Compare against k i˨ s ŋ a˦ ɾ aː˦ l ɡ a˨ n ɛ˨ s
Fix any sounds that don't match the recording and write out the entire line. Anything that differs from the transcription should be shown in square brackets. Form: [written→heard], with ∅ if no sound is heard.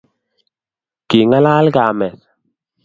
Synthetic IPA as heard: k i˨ [s→∅] ŋ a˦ [ɾ→l] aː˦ l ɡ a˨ [n→m] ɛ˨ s